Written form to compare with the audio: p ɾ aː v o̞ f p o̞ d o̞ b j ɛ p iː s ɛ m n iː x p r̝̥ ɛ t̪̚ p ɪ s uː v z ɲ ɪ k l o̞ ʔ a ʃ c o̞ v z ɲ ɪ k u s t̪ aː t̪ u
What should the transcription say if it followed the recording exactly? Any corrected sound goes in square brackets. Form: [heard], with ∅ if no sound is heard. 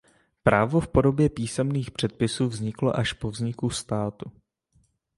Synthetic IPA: p ɾ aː v o̞ f p o̞ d o̞ b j ɛ p iː s ɛ m n iː x p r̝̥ ɛ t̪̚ p ɪ s uː v z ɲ ɪ k l o̞ ʔ a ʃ [p] o̞ v z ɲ ɪ k u s t̪ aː t̪ u